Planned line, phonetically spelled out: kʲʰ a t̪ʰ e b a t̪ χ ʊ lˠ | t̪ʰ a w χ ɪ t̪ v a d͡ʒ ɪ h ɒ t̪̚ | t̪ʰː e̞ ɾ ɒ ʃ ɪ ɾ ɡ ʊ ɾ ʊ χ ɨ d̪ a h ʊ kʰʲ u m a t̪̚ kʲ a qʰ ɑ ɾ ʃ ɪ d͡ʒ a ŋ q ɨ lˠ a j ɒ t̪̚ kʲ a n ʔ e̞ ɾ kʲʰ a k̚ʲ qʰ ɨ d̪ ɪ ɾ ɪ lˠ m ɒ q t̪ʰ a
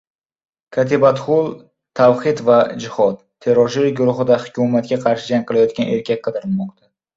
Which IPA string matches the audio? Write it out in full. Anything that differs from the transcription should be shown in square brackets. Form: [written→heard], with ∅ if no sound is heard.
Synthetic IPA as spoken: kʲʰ a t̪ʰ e b a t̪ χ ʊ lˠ | t̪ʰ a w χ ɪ t̪ v a d͡ʒ ɪ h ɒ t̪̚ | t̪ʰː e̞ ɾ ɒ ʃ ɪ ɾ ɡ ʊ ɾ ʊ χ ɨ d̪ a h ʊ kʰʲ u m a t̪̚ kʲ a qʰ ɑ ɾ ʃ ɪ d͡ʒ a ŋ q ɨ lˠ a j ɒ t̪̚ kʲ a n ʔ e̞ ɾ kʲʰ a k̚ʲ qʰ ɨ d̪ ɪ ɾ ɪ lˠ m ɒ q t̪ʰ a